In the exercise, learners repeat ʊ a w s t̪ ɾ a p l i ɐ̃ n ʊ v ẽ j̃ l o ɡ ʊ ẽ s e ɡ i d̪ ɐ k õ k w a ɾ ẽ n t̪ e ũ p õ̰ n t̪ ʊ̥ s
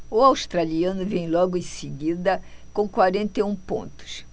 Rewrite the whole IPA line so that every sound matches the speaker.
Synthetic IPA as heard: ʊ a w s t̪ ɾ a l i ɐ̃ n ʊ v ẽ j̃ l ɔ ɡ ʊ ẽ s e ɡ i d̪ ɐ k õ k w a ɾ ẽ n t̪ e ũ p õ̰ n t̪ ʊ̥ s